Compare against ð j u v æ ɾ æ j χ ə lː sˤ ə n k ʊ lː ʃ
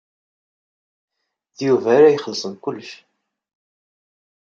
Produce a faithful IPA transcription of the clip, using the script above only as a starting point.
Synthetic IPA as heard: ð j u v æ ɾ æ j χ ə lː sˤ ə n k ʊ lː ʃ